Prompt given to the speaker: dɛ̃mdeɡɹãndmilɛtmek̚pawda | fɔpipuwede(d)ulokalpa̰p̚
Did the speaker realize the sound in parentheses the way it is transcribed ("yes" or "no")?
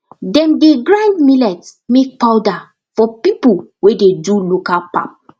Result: yes